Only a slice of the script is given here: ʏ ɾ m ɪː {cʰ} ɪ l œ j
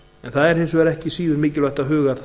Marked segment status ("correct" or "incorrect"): incorrect